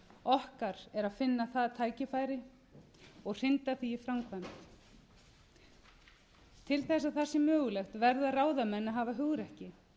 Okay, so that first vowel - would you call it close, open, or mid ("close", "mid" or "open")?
mid